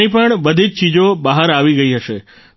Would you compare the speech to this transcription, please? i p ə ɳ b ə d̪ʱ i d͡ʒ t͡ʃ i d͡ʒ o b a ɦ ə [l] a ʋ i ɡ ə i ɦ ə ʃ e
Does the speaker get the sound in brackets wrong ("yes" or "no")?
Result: yes